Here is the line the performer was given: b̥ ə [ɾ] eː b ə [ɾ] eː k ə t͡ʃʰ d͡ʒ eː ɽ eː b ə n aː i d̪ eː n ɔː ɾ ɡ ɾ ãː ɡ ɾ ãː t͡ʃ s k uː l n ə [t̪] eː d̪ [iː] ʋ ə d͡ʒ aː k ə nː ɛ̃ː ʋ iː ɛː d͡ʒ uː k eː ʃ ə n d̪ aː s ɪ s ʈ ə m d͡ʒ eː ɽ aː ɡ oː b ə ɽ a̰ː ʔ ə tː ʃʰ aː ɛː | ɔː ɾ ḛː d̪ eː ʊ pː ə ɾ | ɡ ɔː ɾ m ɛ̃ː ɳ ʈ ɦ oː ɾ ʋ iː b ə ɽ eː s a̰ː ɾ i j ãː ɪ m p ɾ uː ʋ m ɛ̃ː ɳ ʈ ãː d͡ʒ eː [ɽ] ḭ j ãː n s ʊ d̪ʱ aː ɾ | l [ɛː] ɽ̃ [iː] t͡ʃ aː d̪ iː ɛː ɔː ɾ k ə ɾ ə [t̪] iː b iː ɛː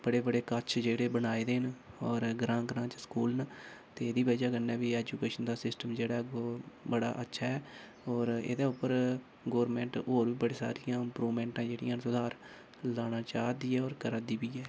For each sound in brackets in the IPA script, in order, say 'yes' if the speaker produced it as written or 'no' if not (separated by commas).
no, no, yes, yes, yes, no, no, no